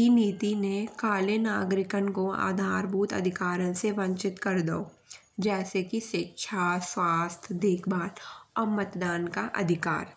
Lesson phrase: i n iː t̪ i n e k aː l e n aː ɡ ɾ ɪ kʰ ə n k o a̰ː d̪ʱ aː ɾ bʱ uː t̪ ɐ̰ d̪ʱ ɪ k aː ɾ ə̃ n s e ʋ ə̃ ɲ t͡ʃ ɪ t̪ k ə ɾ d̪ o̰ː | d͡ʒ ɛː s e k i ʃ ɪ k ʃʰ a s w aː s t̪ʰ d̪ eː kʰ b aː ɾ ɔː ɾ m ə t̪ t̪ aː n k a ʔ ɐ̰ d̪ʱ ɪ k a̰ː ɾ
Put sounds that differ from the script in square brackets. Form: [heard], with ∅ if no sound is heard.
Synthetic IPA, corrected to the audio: i n iː t̪ i n e k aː l e n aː ɡ ɾ ɪ [k] ə n k o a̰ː d̪ʱ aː ɾ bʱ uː t̪ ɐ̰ d̪ʱ ɪ k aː ɾ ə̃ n s e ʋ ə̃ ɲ t͡ʃ ɪ t̪ k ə ɾ d̪ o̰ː | d͡ʒ ɛː s e k i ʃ ɪ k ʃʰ a s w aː s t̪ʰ d̪ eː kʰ b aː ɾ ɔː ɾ m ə t̪ [d̪] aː n k a ʔ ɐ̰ d̪ʱ ɪ k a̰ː ɾ